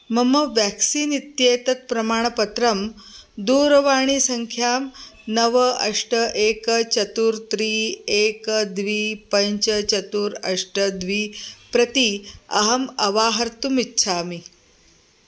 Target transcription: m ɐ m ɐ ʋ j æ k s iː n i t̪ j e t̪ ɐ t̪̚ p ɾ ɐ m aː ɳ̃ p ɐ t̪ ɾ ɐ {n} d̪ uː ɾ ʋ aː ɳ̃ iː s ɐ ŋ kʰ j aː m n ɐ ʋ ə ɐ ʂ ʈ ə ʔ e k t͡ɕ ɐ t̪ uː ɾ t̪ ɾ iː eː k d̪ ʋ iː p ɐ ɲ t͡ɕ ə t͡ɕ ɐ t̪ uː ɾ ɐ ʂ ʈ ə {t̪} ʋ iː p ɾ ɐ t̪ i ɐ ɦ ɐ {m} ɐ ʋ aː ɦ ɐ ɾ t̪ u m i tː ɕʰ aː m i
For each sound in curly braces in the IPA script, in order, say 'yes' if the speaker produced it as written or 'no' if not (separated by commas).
no, no, yes